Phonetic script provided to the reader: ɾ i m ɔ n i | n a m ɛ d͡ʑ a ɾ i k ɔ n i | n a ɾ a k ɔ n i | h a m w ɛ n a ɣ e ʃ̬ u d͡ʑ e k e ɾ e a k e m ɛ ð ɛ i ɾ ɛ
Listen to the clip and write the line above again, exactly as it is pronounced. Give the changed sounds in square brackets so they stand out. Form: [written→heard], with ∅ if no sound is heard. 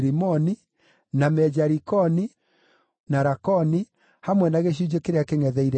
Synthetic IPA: ɾ i m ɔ n i | n a m ɛ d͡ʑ a ɾ i k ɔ n i | n a ɾ a k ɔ n i | h a m w ɛ n a ɣ e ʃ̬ u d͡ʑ e k e ɾ e a k e [m→ŋ] ɛ ð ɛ i ɾ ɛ